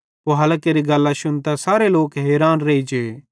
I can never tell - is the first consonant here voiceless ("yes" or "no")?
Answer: no